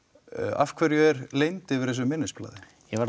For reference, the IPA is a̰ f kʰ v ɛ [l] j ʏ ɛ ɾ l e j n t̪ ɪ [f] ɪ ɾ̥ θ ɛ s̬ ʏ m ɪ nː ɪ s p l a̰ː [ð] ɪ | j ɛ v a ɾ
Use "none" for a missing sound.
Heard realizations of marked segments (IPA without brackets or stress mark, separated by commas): ɾ, v, ð